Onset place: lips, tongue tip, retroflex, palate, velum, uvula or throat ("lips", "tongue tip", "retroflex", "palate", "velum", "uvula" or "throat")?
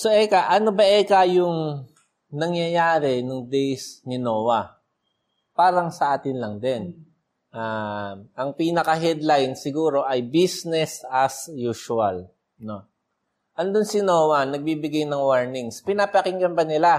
tongue tip